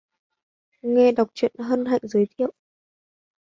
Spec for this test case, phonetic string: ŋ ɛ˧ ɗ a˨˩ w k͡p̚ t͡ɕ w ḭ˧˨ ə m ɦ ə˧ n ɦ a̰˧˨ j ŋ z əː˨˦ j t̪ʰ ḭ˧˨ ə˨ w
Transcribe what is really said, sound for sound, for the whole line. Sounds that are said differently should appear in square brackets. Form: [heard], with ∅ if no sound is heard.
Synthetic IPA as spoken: ŋ ɛ˧ ɗ a˨˩ w k͡p̚ t͡ɕ w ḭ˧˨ ə [n] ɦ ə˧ n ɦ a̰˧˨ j ŋ z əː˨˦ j t̪ʰ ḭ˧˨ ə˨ w